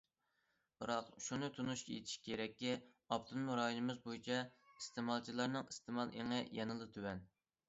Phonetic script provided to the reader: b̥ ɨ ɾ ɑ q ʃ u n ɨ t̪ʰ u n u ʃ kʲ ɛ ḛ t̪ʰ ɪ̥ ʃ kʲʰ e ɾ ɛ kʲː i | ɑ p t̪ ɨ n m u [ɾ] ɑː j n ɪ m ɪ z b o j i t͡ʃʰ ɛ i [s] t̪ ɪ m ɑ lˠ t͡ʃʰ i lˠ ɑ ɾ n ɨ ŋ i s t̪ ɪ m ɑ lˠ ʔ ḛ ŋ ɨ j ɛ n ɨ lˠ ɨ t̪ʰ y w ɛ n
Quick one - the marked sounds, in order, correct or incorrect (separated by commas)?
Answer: correct, correct